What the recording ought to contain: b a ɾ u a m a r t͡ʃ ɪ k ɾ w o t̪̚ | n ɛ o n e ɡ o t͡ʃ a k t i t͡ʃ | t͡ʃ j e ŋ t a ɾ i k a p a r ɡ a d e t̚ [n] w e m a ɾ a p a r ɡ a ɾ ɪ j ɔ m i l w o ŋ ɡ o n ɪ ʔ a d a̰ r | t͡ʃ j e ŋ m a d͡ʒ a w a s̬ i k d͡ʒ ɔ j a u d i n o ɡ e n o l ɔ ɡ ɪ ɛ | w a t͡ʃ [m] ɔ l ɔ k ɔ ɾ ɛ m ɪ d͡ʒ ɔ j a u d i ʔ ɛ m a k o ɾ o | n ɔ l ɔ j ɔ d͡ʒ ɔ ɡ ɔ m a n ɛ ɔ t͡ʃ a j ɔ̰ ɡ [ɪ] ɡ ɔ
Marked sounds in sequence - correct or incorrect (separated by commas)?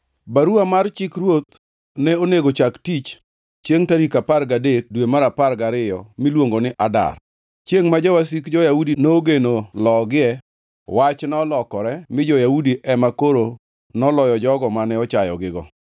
incorrect, incorrect, correct